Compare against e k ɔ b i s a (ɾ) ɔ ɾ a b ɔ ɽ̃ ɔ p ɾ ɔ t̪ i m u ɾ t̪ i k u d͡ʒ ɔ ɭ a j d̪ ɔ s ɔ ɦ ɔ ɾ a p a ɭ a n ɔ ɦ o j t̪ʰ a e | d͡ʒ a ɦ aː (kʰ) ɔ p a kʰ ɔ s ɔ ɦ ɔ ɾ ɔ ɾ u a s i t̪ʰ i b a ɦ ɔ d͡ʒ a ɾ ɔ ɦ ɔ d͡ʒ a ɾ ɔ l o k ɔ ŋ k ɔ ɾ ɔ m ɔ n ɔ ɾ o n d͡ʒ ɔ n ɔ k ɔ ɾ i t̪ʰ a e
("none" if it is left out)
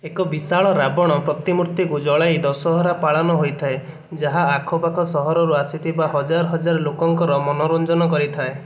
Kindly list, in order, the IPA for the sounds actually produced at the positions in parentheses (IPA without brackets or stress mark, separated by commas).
ɭ, kʰ